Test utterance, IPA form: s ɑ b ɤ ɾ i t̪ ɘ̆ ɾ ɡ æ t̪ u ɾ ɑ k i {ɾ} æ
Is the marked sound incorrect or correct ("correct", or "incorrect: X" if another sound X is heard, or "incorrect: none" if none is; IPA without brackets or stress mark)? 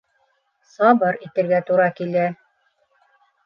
incorrect: l